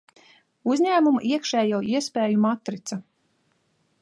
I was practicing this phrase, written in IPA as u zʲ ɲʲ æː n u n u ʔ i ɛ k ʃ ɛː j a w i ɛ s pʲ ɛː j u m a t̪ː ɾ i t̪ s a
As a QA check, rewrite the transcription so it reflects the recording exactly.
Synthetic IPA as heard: u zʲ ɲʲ æː m u m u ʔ i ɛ k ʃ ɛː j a w i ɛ s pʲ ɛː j u m a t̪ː ɾ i t̪ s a